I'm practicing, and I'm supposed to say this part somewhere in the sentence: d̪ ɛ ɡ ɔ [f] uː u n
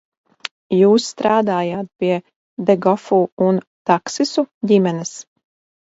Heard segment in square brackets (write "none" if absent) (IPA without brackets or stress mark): f